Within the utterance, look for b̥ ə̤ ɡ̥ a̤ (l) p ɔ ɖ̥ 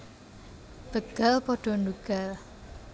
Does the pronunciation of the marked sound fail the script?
no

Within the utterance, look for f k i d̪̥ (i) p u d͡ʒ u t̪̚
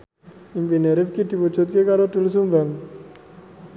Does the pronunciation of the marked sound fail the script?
no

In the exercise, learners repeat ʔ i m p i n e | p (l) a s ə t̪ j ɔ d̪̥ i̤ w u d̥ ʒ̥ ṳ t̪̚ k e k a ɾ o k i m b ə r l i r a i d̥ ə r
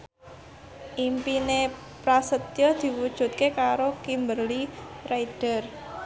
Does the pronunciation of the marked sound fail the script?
yes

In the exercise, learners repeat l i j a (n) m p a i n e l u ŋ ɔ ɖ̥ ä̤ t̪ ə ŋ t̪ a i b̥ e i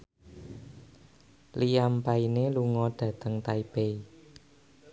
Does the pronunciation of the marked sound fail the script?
yes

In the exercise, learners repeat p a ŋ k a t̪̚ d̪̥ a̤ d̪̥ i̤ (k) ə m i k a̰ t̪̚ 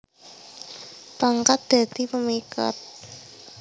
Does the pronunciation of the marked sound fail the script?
yes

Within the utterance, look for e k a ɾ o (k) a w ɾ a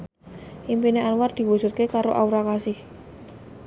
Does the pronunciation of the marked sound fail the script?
yes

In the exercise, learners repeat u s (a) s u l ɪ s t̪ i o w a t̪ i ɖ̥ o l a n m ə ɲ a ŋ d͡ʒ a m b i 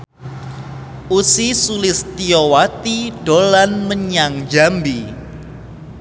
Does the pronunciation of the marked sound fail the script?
yes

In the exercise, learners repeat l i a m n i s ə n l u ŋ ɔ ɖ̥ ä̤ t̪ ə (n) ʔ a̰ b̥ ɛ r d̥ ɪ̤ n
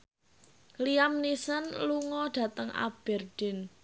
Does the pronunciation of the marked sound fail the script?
yes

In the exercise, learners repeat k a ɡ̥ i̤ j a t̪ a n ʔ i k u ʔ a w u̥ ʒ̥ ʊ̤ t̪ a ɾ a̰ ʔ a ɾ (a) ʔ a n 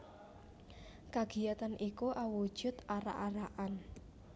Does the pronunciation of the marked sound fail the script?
no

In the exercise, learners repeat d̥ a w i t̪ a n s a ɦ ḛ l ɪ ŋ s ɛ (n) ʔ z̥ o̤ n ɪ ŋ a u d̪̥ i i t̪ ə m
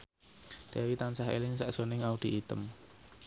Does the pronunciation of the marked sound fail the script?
yes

